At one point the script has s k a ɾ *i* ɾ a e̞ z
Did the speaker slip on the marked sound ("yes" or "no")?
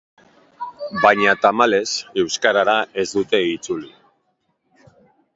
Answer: yes